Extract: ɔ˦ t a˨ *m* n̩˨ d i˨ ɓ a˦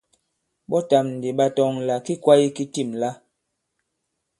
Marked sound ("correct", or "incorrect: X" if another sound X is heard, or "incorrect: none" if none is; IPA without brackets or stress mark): correct